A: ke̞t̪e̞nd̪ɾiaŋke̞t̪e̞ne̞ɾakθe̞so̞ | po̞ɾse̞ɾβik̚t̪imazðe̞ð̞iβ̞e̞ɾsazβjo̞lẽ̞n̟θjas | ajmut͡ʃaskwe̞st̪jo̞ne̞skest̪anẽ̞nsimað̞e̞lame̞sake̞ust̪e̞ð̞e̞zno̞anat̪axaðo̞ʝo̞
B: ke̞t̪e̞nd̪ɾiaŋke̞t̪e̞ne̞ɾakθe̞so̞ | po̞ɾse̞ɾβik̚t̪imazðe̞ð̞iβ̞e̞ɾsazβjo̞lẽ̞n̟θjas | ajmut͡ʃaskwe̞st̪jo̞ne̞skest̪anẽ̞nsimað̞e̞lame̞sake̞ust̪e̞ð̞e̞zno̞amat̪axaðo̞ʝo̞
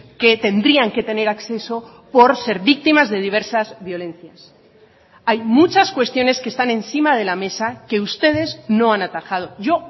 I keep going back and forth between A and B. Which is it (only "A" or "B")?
A